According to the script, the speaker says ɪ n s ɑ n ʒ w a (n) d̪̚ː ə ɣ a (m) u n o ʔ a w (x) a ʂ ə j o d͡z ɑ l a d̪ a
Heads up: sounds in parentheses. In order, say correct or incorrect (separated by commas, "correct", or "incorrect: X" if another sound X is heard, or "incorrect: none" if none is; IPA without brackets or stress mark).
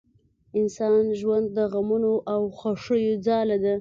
correct, correct, correct